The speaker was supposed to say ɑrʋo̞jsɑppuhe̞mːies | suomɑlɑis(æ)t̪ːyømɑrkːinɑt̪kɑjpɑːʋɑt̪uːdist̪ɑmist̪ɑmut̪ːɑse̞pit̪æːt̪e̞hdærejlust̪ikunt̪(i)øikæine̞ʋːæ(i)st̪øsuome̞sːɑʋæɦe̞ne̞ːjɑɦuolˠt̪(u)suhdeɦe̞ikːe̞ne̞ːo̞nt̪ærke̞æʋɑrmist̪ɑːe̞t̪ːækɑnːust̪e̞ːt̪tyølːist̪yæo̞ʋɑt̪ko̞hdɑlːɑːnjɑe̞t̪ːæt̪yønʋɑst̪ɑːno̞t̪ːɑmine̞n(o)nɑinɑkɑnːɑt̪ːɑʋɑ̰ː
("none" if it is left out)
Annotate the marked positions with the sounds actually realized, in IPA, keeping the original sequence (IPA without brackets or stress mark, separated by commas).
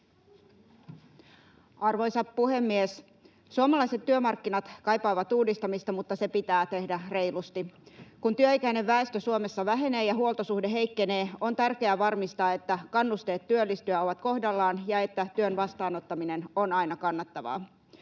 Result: e, y, e, o, o